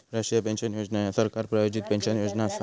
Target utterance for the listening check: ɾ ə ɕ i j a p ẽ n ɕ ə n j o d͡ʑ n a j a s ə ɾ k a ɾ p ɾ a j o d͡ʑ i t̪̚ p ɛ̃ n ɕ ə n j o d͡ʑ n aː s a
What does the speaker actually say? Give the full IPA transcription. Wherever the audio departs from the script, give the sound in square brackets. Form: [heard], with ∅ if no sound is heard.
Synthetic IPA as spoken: ɾ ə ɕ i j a p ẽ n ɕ ə n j o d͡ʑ n a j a s ə ɾ k a ɾ p ɾ a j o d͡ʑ i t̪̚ p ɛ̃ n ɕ ə n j o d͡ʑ n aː s a